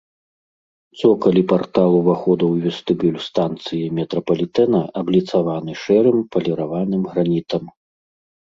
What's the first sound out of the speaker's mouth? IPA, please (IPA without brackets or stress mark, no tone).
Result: t̪